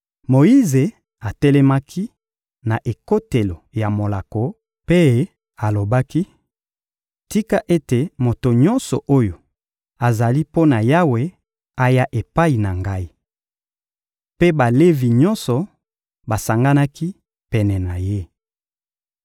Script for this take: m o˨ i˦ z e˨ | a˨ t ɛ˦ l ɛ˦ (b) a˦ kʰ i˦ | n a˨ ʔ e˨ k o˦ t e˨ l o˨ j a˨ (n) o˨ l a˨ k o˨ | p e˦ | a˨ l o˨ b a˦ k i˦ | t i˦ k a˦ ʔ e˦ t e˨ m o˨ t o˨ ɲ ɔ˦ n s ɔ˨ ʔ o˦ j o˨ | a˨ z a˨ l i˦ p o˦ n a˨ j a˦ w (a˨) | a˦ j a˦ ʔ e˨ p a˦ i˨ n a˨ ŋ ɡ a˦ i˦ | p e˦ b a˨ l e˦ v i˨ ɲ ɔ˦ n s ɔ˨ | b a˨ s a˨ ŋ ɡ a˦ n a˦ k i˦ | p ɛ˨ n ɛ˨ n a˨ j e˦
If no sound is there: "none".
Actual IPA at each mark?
m, m, e˨

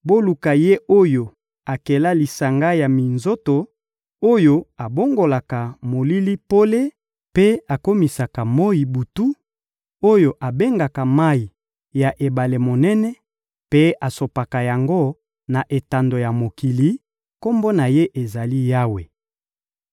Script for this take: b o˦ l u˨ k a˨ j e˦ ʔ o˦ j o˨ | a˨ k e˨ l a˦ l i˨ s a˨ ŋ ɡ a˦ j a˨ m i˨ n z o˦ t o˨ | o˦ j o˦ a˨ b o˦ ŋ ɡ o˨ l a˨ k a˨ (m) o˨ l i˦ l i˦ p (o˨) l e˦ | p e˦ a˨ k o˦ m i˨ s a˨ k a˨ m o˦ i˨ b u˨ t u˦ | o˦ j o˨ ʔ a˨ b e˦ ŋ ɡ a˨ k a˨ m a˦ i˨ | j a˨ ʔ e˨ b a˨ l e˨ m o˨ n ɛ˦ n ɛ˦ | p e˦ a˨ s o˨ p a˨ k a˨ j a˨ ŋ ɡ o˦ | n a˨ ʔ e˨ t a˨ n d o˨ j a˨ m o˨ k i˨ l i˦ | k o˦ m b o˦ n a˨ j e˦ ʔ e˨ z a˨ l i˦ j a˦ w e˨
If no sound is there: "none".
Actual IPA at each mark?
m, o˦

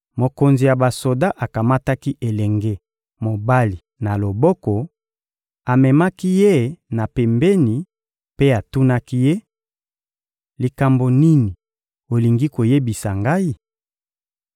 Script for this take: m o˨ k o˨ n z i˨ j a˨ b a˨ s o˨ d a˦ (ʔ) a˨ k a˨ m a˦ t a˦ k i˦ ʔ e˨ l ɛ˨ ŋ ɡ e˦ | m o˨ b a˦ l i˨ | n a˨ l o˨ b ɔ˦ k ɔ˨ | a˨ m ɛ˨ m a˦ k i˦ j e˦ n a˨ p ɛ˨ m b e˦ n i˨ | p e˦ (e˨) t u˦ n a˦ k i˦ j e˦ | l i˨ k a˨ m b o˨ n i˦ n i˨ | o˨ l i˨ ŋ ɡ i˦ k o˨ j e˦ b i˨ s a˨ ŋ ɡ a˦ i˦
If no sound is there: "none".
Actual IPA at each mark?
ʔ, a˨

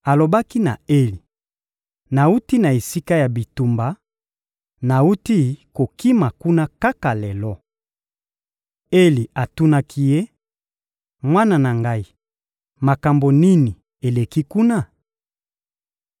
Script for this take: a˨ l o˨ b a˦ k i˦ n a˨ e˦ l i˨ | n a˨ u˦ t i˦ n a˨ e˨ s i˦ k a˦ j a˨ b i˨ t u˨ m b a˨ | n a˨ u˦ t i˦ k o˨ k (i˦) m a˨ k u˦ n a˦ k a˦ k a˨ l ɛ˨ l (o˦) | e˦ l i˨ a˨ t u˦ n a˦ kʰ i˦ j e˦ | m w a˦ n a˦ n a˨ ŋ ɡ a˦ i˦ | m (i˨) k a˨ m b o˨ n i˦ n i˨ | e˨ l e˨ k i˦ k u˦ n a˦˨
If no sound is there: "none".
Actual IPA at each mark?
i˦, ɔ˦, a˨

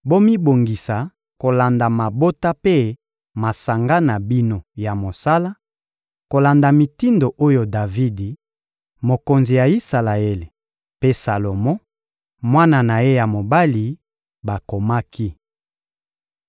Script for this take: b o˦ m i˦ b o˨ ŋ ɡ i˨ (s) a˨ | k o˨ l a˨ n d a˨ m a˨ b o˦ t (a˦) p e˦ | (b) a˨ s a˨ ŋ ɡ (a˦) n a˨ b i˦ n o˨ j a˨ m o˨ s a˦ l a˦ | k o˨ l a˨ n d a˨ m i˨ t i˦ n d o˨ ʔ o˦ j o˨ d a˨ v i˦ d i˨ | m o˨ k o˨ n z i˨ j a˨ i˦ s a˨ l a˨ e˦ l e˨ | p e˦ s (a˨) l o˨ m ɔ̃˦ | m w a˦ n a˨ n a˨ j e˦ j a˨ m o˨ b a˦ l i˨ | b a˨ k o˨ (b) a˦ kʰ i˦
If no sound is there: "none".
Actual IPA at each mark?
s, a˦, m, a˦, a˨, m

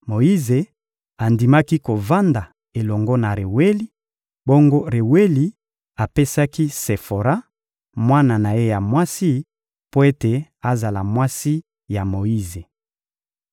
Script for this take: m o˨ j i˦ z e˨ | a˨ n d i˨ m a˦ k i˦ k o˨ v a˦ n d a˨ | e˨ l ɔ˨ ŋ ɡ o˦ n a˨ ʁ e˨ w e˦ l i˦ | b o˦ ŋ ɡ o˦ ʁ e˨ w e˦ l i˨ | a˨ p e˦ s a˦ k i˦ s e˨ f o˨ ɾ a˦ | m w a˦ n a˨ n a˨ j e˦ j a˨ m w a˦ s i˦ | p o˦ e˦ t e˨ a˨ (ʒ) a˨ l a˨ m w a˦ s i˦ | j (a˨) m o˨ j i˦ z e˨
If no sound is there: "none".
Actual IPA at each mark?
z, a˨

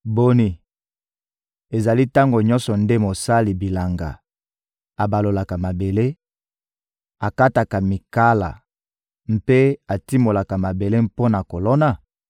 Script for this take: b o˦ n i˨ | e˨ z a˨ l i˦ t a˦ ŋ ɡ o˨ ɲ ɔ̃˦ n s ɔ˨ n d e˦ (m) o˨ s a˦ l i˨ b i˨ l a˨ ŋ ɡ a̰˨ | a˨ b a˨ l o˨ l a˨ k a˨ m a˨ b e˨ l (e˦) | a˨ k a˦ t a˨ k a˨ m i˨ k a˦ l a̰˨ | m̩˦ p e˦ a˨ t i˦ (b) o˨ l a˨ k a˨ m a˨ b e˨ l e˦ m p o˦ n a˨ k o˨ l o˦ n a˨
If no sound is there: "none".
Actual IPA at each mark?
m, e˦, m

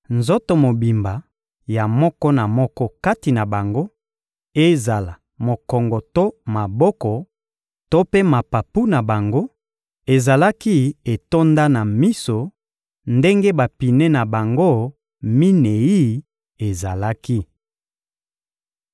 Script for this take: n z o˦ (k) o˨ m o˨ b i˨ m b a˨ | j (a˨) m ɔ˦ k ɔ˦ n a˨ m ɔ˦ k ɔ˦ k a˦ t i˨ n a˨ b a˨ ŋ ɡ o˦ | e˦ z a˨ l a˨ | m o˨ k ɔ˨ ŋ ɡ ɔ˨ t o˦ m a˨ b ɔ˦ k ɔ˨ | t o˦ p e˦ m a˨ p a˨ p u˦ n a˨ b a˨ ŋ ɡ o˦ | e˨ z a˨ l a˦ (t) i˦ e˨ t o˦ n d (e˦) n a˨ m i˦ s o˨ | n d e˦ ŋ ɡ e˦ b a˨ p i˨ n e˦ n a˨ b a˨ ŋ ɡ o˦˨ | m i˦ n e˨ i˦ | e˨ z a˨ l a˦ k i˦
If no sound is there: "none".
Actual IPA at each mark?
t, a˨, k, a˦

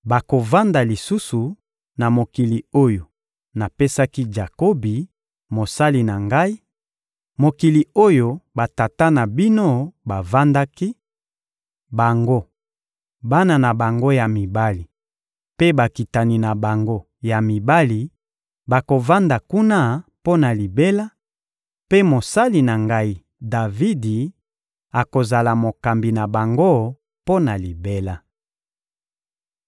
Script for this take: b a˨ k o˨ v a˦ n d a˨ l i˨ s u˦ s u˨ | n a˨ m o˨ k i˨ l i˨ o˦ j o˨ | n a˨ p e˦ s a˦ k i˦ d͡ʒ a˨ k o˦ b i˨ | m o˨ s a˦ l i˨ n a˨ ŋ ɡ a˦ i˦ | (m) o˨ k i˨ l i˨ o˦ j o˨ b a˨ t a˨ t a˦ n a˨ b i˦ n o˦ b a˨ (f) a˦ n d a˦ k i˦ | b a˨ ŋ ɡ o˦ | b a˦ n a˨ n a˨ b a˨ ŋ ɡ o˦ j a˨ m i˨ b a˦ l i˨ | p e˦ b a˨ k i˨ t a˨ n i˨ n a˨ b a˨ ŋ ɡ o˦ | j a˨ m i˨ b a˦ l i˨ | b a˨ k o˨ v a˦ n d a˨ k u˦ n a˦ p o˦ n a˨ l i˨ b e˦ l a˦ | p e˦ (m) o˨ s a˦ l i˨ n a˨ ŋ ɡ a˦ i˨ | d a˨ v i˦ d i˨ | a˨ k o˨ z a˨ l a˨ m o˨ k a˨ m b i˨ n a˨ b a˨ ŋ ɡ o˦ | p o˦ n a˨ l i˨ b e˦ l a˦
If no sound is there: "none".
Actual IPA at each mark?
m, v, m

